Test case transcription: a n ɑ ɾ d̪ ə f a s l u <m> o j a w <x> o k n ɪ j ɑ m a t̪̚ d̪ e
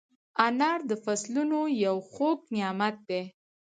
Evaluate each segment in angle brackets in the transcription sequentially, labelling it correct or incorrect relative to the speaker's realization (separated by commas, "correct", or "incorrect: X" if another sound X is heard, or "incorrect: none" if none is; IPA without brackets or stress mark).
incorrect: n, correct